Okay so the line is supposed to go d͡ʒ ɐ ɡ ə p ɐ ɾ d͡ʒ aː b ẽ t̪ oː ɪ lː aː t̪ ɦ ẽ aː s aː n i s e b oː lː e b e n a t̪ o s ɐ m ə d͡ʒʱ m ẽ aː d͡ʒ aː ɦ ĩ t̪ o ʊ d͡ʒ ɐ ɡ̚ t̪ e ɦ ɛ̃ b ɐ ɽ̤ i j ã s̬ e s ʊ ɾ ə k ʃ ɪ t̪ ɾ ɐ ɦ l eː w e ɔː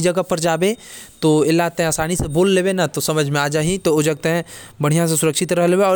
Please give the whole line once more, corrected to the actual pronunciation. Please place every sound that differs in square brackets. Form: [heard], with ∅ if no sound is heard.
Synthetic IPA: d͡ʒ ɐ ɡ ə p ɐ ɾ d͡ʒ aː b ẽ t̪ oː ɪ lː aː t̪ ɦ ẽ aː s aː n i s e b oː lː e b e n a t̪ o s ɐ m ə d͡ʒʱ m ẽ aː d͡ʒ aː ɦ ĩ t̪ o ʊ d͡ʒ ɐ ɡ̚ t̪ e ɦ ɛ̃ b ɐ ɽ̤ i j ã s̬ e s ʊ ɾ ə k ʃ ɪ t̪ ɾ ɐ ɦ l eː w e ɔː

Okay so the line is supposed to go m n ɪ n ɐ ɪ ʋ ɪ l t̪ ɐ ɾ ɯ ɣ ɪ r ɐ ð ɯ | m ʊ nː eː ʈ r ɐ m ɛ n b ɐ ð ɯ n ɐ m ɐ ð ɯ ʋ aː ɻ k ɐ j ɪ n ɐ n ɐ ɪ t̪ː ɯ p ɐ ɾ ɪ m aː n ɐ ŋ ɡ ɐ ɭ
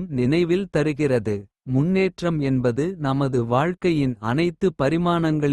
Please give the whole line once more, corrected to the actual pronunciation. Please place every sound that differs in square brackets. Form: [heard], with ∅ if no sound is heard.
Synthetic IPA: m n ɪ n ɐ ɪ ʋ ɪ l t̪ ɐ ɾ ɯ ɣ ɪ r ɐ ð ɯ | m ʊ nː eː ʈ r ɐ m ɛ n b ɐ ð ɯ n ɐ m ɐ ð ɯ ʋ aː ɻ k ɐ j ɪ n ɐ n ɐ ɪ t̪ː ɯ p ɐ ɾ ɪ m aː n ɐ ŋ ɡ ɐ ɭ

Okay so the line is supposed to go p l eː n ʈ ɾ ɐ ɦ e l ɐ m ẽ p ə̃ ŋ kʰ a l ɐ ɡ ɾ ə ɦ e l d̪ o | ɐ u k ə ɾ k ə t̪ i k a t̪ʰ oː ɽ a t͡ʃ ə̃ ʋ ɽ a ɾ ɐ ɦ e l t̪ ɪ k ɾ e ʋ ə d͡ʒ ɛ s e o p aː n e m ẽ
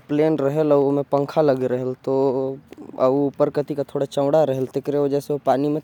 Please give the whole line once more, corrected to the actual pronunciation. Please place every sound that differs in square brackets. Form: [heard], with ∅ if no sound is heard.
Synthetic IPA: p l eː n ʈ ɾ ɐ ɦ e l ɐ m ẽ p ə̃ ŋ kʰ a l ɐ ɡ ɾ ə ɦ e l [t̪] o | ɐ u [p] ə ɾ k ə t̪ i k a t̪ʰ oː ɽ a t͡ʃ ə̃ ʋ ɽ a ɾ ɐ ɦ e l t̪ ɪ k ɾ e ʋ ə d͡ʒ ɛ s e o p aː n [i] m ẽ

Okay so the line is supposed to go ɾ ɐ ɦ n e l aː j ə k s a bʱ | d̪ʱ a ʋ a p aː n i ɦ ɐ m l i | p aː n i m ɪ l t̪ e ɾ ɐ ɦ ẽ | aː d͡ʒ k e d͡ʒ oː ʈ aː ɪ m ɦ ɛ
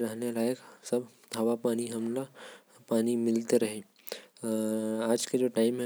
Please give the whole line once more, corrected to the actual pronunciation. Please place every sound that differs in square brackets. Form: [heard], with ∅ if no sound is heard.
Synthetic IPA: ɾ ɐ ɦ n e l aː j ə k s [ɐ] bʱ | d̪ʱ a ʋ a p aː n i ɦ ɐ m l [a] | p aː n i m ɪ l t̪ e ɾ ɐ ɦ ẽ | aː d͡ʒ k e d͡ʒ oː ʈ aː ɪ m ɦ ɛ

